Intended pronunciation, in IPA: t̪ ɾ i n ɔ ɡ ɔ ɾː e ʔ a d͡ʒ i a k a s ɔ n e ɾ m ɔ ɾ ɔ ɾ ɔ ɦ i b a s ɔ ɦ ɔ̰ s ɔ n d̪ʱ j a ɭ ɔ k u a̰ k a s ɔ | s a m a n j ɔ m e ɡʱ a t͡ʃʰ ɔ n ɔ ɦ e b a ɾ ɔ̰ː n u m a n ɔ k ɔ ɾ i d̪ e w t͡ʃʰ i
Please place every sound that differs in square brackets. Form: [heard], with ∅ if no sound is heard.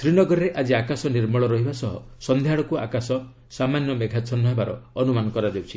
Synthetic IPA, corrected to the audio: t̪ ɾ i n ɔ ɡ ɔ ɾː e ʔ a d͡ʒ i a k a s ɔ n [i] ɾ m ɔ [ɭ] ɔ ɾ ɔ ɦ i b a s ɔ ɦ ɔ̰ s ɔ n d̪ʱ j a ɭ ɔ k u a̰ k a s ɔ | s a m a n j ɔ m e ɡʱ a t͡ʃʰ ɔ n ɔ ɦ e b a ɾ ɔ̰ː n u m a n ɔ k ɔ ɾ [a] d̪ e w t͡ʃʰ i